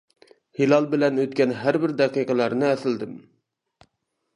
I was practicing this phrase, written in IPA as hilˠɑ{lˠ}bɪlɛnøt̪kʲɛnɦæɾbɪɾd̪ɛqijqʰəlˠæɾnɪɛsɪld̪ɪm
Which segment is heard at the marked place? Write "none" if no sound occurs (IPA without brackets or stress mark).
lˠ